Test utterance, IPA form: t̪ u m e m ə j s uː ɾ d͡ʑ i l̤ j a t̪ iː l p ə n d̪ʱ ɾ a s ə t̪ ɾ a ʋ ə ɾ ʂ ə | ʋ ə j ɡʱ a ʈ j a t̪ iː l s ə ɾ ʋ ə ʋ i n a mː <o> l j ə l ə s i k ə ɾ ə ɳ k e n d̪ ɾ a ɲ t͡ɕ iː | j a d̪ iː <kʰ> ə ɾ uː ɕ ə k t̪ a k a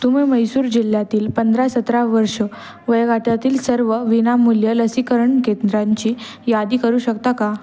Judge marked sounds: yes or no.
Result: no, no

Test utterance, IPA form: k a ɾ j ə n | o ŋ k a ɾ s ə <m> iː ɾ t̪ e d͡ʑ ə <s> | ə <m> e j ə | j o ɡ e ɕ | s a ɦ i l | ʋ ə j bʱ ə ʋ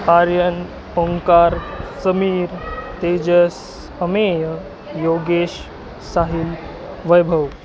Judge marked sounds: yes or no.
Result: yes, yes, yes

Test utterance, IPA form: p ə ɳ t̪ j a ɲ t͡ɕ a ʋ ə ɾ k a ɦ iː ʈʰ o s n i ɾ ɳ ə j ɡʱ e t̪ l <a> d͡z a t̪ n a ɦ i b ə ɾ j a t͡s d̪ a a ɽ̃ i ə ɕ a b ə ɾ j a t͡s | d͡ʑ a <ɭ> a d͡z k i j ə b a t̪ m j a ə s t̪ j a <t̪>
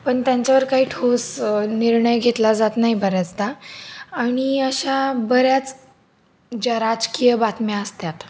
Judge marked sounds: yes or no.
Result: yes, no, yes

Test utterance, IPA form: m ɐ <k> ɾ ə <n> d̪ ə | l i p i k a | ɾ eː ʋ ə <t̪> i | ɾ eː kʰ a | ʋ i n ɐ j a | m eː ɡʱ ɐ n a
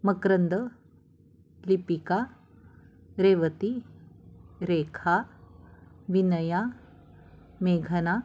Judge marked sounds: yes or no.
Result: yes, yes, yes

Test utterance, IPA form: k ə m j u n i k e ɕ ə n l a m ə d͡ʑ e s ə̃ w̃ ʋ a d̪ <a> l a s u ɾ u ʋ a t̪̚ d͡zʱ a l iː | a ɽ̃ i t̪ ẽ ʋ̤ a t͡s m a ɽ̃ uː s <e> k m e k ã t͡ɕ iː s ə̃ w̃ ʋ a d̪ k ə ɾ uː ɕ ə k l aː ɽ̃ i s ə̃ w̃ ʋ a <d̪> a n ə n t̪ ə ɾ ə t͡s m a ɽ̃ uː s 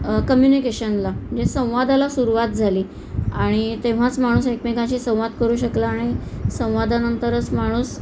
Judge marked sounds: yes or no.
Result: yes, yes, yes

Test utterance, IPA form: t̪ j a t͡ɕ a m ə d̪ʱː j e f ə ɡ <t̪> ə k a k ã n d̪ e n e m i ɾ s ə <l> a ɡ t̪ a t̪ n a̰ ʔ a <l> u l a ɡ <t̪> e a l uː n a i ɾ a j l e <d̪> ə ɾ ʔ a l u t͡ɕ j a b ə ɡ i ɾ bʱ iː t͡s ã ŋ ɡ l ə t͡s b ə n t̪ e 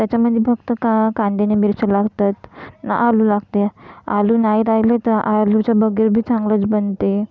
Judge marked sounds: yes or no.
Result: yes, yes, yes, yes, no

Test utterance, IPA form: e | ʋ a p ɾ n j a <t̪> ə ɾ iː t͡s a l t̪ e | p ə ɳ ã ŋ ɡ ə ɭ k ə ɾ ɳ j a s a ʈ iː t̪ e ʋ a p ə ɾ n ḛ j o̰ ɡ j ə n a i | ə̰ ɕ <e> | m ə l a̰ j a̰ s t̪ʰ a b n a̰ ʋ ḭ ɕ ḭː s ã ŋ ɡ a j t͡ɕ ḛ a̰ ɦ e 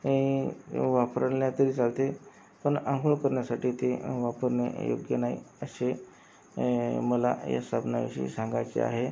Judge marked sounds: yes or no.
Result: yes, yes

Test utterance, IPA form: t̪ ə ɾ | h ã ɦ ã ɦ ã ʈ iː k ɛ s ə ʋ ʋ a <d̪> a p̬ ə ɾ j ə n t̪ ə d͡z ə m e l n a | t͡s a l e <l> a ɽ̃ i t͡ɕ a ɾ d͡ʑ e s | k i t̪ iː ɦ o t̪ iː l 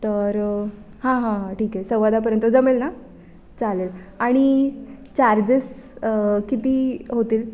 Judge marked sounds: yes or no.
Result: yes, yes

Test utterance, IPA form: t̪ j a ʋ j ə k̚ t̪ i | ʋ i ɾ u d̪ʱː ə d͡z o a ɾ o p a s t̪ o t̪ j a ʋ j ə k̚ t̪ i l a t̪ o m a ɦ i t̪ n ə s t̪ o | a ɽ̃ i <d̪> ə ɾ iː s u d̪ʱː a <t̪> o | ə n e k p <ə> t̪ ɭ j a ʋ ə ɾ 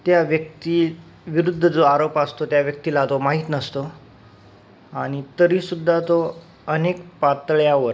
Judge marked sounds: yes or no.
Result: no, yes, no

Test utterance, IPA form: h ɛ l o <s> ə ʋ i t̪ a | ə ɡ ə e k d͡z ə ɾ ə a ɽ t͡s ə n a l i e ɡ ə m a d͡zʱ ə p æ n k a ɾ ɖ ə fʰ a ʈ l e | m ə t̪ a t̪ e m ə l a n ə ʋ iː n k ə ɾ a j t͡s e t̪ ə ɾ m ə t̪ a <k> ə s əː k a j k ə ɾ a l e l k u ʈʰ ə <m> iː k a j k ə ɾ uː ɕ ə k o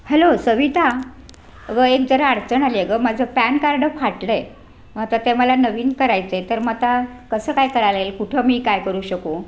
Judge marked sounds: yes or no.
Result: yes, yes, yes

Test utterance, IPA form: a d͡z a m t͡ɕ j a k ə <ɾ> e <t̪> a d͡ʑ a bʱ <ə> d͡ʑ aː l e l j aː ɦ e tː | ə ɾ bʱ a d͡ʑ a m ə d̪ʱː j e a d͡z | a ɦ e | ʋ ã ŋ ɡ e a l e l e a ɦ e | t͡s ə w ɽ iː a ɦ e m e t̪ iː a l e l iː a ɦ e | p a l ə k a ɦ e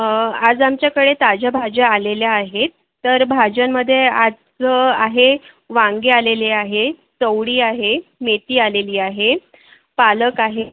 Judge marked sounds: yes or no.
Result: no, yes, no

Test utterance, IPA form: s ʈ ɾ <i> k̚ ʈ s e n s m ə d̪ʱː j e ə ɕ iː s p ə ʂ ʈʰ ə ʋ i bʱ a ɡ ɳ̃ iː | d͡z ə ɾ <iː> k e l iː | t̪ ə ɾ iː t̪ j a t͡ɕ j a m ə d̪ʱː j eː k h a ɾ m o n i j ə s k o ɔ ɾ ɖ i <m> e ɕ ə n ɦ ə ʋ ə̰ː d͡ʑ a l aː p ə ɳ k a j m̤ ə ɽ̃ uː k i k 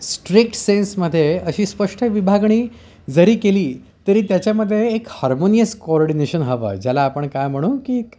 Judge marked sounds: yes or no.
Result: yes, yes, no

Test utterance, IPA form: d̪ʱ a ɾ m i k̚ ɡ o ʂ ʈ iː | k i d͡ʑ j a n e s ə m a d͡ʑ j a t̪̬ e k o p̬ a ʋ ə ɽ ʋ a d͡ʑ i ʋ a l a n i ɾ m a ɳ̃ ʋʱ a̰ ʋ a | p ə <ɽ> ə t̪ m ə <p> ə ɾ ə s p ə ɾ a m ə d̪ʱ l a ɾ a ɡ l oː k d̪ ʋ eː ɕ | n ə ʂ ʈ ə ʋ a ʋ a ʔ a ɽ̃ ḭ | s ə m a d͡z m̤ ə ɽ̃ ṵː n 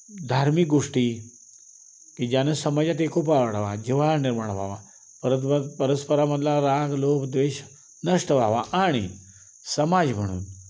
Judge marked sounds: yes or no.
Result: no, yes

